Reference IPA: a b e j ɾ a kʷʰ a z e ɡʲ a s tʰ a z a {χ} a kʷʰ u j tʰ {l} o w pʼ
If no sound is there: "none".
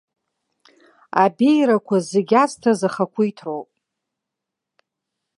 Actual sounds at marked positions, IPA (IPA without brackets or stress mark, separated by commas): χ, r